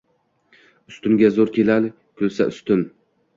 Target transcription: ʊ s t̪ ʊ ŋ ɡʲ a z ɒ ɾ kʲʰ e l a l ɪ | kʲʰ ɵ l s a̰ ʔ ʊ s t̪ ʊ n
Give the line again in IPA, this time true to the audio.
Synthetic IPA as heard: ʊ s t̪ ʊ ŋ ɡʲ a z o ɾ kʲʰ e l a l ɪ | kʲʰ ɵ l s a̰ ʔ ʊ s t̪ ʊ n